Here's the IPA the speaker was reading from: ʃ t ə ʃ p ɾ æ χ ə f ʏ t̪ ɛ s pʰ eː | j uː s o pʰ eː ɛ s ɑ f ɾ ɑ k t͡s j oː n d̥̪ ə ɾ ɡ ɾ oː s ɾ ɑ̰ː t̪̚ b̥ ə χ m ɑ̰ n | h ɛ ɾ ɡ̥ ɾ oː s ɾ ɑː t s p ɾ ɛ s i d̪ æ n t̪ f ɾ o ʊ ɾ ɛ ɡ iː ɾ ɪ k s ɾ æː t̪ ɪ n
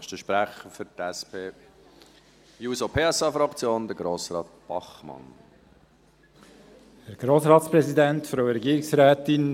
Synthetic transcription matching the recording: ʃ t ə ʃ p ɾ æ χ ə f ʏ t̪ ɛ s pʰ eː | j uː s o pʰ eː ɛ s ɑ f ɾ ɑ k t͡s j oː n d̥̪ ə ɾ ɡ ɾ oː s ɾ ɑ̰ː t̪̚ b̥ ɑ χ m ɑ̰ n | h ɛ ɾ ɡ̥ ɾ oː s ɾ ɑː t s p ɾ ɛ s i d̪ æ n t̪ f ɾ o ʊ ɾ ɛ ɡ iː ɾ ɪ k s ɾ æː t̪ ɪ n